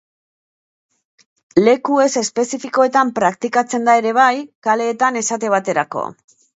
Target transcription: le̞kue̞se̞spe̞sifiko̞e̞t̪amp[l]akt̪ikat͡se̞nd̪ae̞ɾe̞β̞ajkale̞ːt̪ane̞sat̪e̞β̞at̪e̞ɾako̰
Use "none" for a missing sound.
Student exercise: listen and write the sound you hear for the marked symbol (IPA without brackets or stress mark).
ɾ